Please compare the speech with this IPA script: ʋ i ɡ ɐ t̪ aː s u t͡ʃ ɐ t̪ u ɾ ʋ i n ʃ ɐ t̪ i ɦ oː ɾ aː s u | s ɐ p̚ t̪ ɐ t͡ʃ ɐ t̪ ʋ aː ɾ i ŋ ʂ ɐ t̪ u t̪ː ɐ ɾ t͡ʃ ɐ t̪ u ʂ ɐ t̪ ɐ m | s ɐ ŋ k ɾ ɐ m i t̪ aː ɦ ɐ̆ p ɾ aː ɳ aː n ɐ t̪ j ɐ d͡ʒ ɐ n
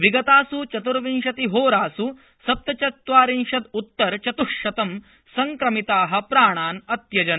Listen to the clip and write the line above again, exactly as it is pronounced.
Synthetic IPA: ʋ i ɡ ɐ t̪ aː s u t͡ʃ ɐ t̪ u ɾ ʋ i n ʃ ɐ t̪ i ɦ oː ɾ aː s u | s ɐ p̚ t̪ ɐ t͡ʃ ɐ t̪ ʋ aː ɾ i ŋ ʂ ɐ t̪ u t̪ː ɐ ɾ t͡ʃ ɐ t̪ u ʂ ɐ t̪ ɐ m | s ɐ ŋ k ɾ ɐ m i t̪ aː ɦ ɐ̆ p ɾ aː ɳ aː n ɐ t̪ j ɐ d͡ʒ ɐ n

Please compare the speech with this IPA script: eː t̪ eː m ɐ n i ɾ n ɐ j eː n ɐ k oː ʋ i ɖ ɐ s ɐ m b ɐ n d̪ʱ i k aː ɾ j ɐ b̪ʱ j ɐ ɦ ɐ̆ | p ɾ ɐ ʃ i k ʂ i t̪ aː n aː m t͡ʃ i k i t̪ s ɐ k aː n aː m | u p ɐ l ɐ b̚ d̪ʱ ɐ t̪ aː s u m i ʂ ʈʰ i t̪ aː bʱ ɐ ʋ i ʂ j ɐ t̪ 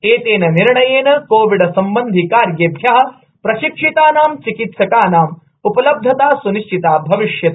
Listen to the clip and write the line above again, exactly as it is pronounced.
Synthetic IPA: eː t̪ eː n ɐ n i ɾ ɳ ɐ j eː n ɐ k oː ʋ i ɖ ɐ s ɐ m b ɐ n d̪ʱ i k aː ɾ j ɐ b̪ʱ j ɐ ɦ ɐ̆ | p ɾ ɐ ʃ i k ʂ i t̪ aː n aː m t͡ʃ i k i t̪ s ɐ k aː n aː m | u p ɐ l ɐ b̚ d̪ʱ ɐ t̪ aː s u n i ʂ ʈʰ i t̪ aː bʱ ɐ ʋ i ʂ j ɐ t̪

